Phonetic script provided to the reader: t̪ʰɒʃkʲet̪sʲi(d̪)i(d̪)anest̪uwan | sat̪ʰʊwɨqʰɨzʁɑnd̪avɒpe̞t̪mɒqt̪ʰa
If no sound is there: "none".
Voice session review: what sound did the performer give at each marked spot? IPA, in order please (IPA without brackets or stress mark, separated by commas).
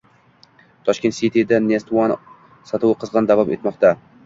t̪, d̪